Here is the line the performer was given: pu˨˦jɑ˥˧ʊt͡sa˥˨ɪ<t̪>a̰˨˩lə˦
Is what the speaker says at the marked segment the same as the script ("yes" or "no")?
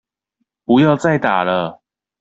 yes